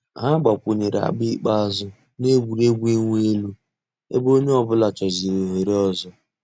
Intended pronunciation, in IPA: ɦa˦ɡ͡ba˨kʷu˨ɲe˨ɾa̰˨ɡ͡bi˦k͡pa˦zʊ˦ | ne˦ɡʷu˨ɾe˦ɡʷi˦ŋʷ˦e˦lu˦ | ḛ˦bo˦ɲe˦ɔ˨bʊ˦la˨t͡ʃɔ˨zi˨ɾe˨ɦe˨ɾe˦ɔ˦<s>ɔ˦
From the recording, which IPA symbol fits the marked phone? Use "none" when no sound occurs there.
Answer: z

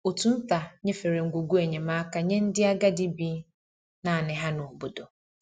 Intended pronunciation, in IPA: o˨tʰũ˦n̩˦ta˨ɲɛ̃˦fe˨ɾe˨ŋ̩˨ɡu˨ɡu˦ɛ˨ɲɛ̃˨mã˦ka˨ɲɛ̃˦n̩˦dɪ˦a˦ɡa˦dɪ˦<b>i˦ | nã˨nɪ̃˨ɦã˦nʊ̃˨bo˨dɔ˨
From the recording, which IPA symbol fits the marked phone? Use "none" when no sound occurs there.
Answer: b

